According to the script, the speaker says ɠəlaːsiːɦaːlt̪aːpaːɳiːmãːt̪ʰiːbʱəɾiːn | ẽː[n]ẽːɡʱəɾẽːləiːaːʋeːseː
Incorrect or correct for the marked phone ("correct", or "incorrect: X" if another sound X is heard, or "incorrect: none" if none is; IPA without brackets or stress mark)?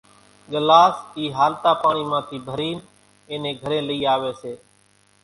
correct